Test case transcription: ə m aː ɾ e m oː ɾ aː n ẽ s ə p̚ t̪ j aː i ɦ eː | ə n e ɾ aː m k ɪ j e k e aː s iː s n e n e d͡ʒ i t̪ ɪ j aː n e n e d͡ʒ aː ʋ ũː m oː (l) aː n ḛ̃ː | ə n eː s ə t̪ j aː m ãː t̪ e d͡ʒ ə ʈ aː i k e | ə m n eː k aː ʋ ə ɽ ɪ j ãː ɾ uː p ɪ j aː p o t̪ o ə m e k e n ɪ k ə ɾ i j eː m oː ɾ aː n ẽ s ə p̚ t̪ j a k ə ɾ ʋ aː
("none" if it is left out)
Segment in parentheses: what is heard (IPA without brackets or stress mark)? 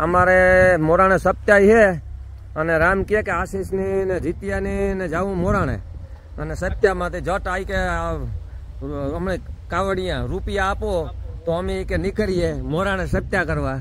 ɾ